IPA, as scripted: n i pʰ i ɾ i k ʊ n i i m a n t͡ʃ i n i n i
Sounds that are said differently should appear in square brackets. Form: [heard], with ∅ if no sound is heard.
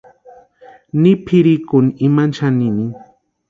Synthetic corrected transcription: n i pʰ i ɾ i k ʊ n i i m a n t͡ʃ [a] n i n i